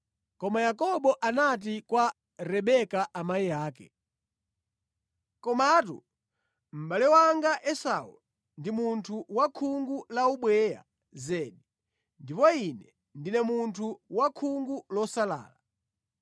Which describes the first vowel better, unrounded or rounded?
rounded